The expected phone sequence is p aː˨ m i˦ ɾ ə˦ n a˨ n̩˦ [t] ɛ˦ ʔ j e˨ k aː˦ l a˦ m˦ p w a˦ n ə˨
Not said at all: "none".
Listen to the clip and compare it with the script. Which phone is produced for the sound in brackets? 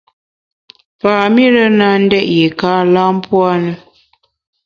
d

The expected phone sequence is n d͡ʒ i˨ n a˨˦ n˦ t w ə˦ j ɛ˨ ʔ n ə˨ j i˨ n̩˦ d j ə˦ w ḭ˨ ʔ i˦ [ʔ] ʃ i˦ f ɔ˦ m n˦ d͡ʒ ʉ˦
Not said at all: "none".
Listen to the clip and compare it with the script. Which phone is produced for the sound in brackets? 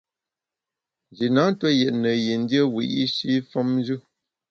none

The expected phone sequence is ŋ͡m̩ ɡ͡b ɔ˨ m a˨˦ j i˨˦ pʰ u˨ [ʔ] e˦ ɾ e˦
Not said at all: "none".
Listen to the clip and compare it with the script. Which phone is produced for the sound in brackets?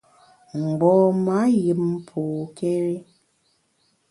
k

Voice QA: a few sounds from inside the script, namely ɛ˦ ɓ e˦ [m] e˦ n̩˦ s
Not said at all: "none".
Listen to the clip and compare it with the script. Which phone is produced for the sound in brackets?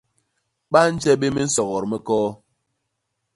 m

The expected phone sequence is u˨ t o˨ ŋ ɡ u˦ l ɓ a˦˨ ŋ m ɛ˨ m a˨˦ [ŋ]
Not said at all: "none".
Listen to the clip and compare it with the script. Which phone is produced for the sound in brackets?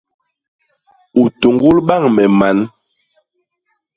n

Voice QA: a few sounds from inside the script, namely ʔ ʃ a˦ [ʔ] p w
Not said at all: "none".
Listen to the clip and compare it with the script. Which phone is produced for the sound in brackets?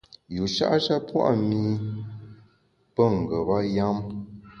none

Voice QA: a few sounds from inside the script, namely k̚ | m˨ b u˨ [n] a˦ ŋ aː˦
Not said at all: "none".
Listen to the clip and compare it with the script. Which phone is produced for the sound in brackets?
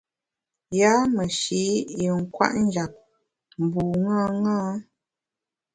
ŋ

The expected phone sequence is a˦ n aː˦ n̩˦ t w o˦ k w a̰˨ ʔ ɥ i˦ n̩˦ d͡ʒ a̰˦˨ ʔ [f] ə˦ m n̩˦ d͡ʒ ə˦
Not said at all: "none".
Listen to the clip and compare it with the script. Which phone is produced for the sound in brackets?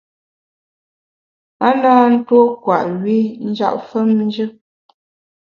f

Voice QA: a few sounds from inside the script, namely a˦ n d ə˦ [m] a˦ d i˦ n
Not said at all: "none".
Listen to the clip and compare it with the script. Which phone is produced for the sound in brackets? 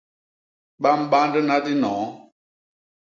n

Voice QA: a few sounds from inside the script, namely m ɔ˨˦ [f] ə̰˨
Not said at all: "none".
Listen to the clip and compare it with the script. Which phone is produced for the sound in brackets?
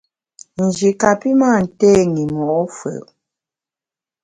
f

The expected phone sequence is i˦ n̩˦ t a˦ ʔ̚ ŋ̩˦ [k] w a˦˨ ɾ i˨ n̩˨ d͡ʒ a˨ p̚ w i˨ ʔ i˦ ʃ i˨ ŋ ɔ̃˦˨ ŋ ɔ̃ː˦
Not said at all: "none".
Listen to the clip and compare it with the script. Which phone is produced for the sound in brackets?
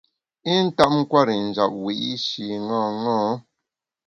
k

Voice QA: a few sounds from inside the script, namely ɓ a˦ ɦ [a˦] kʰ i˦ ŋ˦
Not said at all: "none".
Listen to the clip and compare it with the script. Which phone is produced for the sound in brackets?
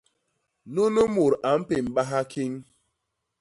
a˦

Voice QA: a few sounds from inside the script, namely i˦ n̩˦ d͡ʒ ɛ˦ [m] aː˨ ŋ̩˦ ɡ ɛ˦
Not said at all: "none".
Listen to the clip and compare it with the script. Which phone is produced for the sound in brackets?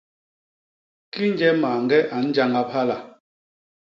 m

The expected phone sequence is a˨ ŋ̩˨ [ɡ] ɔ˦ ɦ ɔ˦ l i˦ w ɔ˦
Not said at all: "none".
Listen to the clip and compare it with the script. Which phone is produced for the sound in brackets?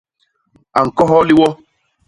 k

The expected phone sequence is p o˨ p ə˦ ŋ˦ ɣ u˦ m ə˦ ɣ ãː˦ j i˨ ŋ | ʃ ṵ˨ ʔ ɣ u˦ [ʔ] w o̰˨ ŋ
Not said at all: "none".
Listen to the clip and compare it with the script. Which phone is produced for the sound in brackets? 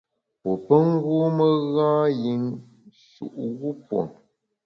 p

